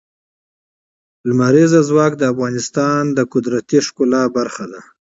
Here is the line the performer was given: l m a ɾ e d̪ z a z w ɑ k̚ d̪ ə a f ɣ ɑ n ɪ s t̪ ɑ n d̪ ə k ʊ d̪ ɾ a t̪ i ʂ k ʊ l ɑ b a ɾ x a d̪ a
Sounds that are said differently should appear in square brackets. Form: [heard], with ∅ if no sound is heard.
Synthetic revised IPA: l m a ɾ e [∅] z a z w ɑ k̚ d̪ ə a f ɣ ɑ n ɪ s t̪ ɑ n d̪ ə k ʊ d̪ ɾ a t̪ i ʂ k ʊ l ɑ b a ɾ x a d̪ a